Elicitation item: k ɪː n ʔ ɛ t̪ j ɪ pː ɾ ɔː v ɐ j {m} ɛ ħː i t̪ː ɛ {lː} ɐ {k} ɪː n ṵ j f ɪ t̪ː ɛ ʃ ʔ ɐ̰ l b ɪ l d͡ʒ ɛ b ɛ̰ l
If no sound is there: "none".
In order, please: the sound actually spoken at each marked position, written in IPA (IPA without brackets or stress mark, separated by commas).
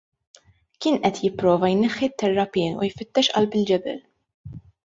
n, rː, p